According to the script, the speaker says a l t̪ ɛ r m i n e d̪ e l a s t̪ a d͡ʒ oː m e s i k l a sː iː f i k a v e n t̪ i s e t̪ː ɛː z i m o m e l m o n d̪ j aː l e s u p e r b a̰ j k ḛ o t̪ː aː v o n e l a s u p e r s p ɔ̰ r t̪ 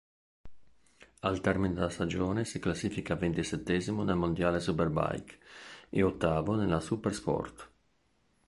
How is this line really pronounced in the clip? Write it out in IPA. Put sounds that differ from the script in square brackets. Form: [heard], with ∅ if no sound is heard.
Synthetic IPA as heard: a l t̪ ɛ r m i n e d̪ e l a s t̪ a d͡ʒ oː [n] e s i k l a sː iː f i k a v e n t̪ i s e t̪ː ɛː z i m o [n] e l m o n d̪ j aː l e s u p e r b a̰ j k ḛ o t̪ː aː v o n e l a s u p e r s p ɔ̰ r t̪